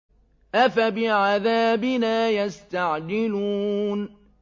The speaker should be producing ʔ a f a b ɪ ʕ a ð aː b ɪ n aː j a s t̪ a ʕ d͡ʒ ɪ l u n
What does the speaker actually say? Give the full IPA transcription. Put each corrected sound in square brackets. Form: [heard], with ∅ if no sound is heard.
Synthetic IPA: ʔ a f a b ɪ ʕ a ð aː b ɪ n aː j a s t̪ a ʕ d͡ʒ ɪ l u n

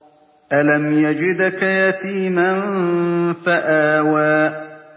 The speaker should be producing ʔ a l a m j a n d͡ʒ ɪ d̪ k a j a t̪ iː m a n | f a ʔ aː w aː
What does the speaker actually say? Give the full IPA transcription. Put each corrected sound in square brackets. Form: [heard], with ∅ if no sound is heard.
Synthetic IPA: ʔ a l a m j a [∅] d͡ʒ ɪ d̪ k a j a t̪ iː m a n | f a ʔ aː w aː

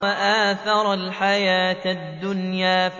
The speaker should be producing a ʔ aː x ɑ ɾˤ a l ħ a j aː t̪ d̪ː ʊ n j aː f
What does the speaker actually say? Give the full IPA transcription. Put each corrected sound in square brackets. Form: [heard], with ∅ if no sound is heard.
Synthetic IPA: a ʔ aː [θ] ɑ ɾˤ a l ħ a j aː t̪ d̪ː ʊ n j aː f

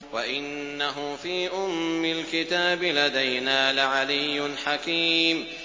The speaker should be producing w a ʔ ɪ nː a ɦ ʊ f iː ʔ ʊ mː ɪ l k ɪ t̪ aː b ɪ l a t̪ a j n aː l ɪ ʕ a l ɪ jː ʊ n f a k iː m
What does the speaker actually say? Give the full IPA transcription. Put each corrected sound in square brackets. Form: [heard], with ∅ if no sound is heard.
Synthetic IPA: w a ʔ ɪ nː a ɦ ʊ f iː ʔ ʊ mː ɪ l k ɪ t̪ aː b ɪ l a [d̪] a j n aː l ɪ ʕ a l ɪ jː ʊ n [ħ] a k iː m

